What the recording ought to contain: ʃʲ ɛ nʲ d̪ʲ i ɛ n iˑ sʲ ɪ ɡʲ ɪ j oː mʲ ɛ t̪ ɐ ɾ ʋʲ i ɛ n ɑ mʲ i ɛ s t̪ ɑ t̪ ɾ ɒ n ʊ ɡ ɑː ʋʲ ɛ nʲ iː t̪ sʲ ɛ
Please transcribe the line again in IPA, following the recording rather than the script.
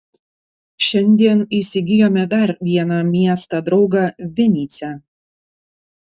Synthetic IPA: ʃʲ ɛ nʲ d̪ʲ i ɛ n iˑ sʲ ɪ ɡʲ ɪ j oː mʲ ɛ d̪ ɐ ɾ ʋʲ i ɛ n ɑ mʲ i ɛ s t̪ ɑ d̪ ɾ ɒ ʊ ɡ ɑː ʋʲ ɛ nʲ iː t̪ sʲ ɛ